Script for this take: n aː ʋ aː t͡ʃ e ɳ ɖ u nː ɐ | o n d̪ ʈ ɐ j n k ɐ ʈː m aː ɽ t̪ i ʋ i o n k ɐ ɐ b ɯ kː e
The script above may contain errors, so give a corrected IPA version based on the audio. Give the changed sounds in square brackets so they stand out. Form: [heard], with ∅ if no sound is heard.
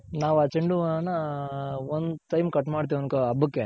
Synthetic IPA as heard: n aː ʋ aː t͡ʃ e ɳ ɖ u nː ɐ | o n d̪ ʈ ɐ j [m] k ɐ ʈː m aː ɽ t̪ i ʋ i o n k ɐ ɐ b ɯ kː e